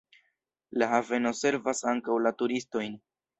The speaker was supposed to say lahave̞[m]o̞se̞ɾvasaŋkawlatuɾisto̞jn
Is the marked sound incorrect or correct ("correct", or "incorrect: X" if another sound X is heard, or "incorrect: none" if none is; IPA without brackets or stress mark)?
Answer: incorrect: n